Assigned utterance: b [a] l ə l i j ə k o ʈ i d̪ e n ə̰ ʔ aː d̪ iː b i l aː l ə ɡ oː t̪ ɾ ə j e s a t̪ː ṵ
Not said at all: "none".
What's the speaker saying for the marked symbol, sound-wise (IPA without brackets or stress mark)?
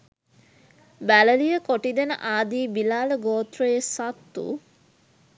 æ